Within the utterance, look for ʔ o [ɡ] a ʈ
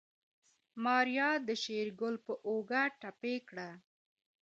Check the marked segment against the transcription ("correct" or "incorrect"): correct